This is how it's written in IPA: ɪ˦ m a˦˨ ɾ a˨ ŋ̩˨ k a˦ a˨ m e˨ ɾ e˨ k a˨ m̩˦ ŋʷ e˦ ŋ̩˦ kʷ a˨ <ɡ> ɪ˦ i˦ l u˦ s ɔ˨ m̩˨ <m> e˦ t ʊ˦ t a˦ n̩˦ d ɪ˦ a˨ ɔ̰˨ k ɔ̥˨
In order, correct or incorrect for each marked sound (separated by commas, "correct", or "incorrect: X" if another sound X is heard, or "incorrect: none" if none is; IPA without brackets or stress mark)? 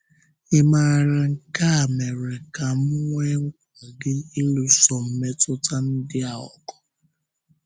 correct, correct